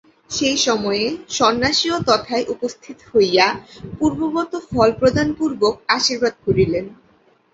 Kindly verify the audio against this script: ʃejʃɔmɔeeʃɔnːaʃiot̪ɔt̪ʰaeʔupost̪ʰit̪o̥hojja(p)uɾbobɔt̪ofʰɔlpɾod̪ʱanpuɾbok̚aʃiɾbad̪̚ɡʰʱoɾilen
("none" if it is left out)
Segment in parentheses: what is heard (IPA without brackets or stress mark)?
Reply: p